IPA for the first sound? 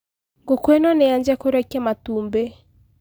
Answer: ŋ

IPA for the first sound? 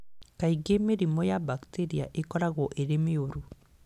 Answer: k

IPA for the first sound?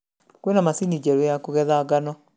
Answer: k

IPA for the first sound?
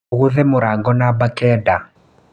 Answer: ɣ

